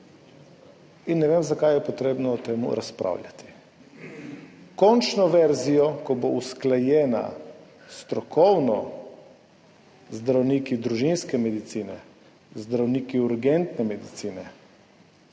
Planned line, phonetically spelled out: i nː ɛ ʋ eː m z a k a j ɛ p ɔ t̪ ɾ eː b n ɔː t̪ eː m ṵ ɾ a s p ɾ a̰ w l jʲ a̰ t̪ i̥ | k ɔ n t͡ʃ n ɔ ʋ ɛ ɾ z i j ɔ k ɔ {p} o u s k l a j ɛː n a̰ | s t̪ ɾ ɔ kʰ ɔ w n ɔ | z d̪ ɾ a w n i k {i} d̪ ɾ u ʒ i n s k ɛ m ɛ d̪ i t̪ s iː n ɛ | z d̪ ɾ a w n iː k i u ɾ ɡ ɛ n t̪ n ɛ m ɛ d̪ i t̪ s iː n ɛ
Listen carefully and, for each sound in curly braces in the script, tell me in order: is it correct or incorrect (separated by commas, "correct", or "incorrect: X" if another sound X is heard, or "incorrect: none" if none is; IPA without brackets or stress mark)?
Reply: incorrect: b, correct